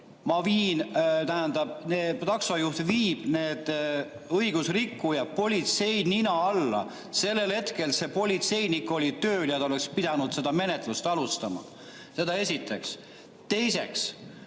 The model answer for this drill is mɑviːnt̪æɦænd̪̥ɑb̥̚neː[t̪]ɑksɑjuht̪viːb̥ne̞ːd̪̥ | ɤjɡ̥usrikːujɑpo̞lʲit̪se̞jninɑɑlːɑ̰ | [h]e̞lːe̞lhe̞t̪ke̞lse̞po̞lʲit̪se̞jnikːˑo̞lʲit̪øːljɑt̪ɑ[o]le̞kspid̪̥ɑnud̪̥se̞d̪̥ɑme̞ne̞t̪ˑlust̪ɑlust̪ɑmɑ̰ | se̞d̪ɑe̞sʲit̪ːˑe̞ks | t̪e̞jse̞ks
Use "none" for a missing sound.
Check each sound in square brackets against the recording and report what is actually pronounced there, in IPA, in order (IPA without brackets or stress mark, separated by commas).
t̪, s, o